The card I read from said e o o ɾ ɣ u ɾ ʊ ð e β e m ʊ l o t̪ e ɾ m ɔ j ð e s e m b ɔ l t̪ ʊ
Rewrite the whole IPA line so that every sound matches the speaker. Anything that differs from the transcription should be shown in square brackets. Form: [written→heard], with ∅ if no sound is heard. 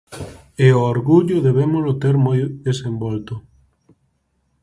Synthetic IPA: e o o ɾ ɣ u [ɾ→ʎ] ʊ ð e β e m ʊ l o t̪ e ɾ m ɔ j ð e s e m b ɔ l t̪ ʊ